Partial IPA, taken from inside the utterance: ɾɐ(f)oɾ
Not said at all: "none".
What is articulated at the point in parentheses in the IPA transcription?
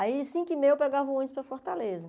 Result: f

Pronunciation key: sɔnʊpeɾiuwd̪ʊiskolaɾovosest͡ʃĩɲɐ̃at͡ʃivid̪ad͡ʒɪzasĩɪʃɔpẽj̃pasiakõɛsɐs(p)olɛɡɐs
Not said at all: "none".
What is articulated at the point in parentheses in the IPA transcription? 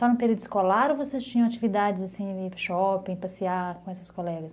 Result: k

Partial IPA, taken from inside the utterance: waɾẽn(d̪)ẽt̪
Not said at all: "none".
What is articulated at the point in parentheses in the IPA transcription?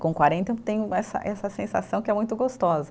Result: t̪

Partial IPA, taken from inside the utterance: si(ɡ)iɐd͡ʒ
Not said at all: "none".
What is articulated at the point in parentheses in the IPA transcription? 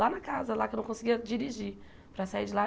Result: ɡ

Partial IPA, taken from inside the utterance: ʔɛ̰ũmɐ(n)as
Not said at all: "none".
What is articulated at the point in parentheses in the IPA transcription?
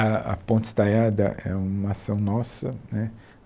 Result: none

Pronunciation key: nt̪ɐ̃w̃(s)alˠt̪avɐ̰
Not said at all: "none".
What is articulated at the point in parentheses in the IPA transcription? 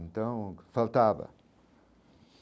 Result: f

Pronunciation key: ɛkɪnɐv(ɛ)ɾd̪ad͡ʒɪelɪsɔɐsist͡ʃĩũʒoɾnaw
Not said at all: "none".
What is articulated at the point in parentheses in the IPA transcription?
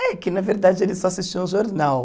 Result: e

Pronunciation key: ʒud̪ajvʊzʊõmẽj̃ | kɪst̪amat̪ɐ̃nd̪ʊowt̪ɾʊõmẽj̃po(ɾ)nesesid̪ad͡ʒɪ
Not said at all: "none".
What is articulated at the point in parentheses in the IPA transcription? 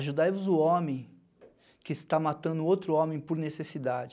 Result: ɾ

